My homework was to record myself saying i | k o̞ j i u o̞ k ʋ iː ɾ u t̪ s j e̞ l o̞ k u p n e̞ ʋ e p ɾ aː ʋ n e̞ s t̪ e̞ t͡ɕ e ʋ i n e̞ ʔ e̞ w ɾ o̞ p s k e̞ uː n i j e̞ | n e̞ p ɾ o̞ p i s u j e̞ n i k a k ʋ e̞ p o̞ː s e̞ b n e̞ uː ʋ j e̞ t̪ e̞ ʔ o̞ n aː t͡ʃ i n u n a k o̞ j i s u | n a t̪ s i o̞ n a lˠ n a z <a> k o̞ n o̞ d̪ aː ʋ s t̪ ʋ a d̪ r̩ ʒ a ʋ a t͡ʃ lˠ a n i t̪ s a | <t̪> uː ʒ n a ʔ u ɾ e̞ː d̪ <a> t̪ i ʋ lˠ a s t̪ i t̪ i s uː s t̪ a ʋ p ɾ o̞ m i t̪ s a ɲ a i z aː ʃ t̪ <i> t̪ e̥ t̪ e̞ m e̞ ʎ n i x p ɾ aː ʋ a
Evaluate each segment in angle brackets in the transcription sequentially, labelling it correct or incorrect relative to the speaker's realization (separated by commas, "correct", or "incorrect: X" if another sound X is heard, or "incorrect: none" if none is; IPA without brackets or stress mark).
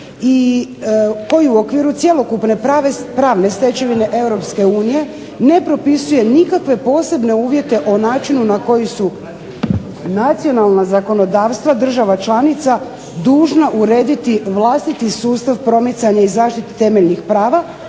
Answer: correct, incorrect: d̪, incorrect: i, correct